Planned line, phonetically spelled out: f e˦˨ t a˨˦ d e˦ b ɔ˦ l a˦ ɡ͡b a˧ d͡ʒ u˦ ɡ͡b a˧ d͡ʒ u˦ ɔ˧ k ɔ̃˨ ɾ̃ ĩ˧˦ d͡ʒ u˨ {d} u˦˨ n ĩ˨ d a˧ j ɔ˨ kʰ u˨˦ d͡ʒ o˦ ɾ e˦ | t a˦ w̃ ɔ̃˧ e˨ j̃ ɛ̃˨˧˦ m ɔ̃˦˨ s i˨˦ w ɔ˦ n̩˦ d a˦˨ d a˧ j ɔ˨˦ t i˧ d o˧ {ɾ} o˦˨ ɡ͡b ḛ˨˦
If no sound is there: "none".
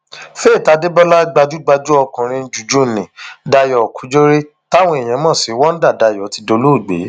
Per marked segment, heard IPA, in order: d͡ʒ, l

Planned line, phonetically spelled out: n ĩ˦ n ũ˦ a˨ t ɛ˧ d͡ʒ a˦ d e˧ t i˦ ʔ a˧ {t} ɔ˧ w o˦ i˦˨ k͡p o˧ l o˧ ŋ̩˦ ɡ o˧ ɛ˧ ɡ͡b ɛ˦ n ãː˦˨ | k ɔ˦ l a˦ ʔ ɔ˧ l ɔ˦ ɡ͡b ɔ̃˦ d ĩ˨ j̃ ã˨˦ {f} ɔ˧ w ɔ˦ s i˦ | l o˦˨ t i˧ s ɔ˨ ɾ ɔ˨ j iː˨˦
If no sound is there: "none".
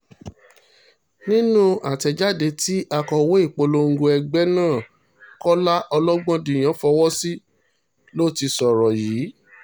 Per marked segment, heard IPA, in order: k, f

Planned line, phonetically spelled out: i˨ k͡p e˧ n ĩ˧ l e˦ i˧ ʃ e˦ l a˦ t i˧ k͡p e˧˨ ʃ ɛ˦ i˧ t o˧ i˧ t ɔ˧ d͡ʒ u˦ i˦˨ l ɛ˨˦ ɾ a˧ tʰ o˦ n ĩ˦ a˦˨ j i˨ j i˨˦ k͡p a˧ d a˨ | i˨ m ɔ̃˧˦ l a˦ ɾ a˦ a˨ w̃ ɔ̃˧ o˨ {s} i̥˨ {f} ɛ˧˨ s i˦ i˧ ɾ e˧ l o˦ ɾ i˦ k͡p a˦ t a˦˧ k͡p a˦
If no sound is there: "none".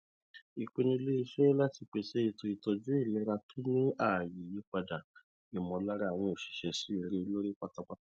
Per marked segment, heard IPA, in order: ʃ, ʃ

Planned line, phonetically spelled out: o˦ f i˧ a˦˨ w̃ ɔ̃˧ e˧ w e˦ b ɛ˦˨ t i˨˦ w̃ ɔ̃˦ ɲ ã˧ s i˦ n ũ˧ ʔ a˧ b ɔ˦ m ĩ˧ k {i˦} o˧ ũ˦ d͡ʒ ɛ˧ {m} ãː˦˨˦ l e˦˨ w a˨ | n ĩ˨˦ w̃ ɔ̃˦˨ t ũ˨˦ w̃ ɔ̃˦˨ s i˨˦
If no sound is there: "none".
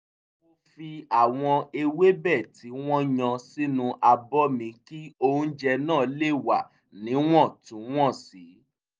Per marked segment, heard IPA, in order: i˦, n

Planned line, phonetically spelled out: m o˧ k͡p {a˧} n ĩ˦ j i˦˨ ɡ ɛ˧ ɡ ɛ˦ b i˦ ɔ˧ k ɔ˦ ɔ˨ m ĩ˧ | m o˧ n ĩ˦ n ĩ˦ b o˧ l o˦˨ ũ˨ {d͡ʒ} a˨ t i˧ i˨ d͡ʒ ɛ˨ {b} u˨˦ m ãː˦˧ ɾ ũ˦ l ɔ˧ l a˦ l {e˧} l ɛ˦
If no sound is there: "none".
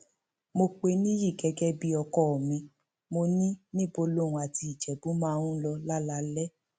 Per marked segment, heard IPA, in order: e˧, none, b, a˧

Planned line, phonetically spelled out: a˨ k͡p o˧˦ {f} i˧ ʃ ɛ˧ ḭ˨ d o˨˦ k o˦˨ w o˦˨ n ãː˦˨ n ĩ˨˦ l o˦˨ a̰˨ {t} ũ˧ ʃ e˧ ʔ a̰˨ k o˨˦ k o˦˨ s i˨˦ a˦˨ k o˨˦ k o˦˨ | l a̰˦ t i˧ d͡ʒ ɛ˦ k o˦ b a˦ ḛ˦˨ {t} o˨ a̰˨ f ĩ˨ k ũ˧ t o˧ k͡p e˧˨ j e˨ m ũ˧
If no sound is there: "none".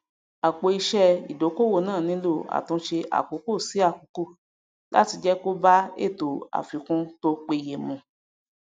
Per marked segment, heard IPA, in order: none, t, t

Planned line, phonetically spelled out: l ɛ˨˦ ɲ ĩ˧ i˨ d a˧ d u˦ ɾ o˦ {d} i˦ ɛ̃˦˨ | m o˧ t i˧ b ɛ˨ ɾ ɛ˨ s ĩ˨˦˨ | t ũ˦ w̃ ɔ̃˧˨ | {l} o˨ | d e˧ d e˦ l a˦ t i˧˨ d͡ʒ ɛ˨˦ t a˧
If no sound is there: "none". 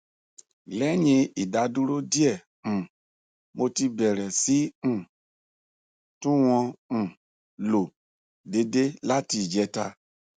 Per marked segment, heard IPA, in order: d, l

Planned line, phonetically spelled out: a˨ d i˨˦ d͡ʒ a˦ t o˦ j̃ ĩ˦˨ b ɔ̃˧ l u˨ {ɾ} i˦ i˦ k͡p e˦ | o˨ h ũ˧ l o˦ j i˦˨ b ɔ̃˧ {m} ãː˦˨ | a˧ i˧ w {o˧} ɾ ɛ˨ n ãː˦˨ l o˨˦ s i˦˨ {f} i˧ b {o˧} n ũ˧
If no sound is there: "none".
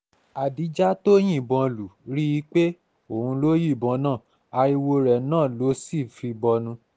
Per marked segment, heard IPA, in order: ɾ, n, o˧, f, ɔ˧

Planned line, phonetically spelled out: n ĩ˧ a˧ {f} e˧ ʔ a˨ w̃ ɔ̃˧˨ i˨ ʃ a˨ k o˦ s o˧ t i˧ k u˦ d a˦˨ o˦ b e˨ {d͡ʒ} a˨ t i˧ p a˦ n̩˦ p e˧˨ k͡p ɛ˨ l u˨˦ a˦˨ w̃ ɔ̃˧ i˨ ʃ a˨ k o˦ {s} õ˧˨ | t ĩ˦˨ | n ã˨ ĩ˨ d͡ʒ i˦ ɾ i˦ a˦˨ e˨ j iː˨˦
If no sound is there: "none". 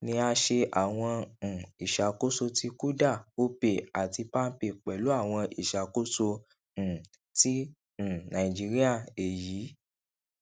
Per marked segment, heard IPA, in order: ʃ, none, s

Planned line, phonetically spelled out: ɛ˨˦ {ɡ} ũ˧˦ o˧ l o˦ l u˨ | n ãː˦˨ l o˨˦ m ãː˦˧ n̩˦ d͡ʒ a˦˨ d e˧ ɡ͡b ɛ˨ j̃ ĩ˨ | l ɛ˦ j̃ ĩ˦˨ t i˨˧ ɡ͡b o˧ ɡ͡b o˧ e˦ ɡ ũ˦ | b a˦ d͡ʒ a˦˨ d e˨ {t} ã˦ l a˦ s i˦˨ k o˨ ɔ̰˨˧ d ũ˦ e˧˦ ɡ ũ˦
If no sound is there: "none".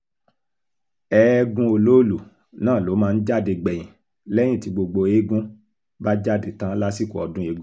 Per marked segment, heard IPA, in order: ɡ, t

